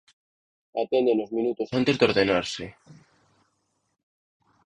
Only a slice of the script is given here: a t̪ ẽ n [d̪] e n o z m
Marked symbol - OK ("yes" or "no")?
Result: yes